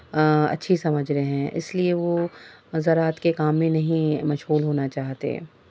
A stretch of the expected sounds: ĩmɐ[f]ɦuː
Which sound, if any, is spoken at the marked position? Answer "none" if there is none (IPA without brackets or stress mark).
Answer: ʃ